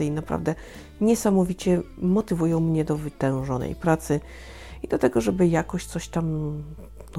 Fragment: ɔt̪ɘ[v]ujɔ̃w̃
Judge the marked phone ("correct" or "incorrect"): correct